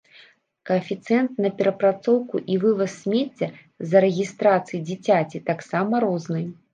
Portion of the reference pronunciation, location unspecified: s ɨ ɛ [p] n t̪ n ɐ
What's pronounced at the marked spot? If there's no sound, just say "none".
none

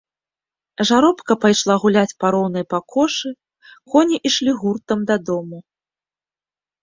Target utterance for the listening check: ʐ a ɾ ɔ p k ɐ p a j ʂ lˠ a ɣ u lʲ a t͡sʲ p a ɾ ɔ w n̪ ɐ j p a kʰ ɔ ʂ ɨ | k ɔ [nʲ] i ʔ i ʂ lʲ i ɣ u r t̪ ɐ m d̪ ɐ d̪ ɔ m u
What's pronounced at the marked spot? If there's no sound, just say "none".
nʲ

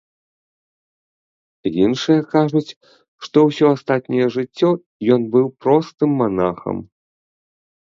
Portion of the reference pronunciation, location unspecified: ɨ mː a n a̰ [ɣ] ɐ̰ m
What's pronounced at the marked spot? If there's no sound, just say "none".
x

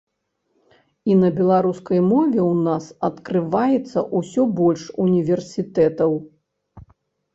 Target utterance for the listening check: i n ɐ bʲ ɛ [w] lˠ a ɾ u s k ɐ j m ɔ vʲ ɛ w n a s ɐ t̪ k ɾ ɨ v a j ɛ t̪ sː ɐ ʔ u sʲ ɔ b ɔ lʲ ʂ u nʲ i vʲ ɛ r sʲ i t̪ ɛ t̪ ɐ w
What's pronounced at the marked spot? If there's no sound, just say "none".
none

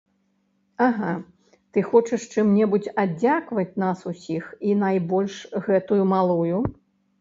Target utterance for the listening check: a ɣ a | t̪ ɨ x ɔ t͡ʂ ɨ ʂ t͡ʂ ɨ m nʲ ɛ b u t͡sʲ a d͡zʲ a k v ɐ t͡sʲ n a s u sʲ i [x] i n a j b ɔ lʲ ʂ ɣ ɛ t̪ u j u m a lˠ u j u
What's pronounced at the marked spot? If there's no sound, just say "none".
x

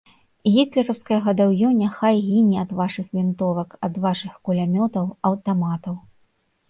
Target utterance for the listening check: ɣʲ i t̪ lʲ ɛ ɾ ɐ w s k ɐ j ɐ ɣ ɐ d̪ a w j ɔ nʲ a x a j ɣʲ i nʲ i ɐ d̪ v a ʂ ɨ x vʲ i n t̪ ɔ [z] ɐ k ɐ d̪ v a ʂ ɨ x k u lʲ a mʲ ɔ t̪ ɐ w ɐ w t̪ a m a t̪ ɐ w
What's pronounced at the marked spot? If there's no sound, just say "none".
v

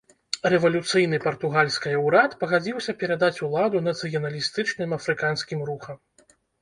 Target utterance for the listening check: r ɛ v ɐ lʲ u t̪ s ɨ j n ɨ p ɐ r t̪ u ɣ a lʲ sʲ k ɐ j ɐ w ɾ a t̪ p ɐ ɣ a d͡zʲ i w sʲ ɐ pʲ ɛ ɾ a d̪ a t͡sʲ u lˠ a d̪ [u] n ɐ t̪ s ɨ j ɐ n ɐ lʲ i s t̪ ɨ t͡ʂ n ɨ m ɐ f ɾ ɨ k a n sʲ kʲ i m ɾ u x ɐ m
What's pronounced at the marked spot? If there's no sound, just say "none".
u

